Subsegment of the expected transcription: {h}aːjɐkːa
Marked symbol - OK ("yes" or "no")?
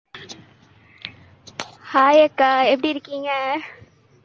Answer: yes